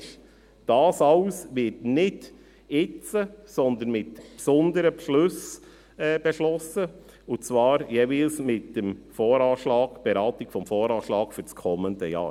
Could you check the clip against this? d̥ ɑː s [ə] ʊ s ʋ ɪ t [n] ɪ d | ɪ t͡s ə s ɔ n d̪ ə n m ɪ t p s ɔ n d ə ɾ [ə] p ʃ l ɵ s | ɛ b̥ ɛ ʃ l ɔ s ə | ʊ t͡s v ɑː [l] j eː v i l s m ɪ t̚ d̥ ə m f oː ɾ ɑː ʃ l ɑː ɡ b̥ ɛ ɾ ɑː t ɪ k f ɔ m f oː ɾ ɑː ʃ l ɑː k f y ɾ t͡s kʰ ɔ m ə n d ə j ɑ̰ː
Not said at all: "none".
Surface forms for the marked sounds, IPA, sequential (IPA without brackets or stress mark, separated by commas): ɑ, n, ə, ɾ